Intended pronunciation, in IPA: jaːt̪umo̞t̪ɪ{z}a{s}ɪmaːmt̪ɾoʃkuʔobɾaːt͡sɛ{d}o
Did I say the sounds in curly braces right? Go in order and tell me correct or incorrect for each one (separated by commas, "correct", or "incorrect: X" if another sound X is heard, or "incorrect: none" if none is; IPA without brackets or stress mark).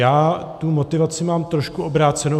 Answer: incorrect: v, incorrect: t͡s, incorrect: n